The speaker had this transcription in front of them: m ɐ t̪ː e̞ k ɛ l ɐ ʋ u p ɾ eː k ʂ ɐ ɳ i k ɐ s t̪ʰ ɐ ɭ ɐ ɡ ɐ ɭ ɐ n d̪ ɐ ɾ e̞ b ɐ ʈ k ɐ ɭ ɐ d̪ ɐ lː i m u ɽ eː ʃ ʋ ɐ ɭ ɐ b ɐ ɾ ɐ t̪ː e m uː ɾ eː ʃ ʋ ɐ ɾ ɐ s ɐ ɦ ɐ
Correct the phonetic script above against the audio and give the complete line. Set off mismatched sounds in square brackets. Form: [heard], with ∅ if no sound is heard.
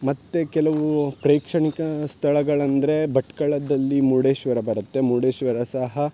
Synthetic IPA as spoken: m ɐ t̪ː e̞ k ɛ l ɐ ʋ u p ɾ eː k ʂ ɐ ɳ i k ɐ s t̪ʰ ɐ ɭ ɐ ɡ ɐ ɭ ɐ n d̪ ɐ ɾ e̞ b ɐ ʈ k ɐ ɭ ɐ d̪ ɐ lː i m u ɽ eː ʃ ʋ ɐ [ɾ] ɐ b ɐ ɾ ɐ t̪ː e m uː [ɽ] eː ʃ ʋ ɐ ɾ ɐ s ɐ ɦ ɐ